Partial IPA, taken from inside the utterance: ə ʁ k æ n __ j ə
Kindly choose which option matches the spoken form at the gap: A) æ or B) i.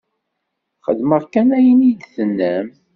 A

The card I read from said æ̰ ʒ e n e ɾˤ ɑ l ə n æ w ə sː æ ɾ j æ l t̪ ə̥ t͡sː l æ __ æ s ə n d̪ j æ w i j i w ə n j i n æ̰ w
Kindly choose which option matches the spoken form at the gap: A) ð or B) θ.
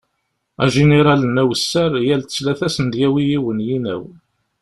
B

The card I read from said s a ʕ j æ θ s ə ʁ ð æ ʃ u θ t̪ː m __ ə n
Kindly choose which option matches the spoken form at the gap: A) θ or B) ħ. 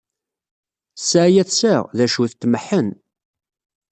B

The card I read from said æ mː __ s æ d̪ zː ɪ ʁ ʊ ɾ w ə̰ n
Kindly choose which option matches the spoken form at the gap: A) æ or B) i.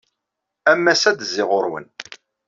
A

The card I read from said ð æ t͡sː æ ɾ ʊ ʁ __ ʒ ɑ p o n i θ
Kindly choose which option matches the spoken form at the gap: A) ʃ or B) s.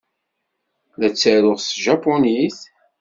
B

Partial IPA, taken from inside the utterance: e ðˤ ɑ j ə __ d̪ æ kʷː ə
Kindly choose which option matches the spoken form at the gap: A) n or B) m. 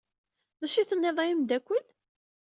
B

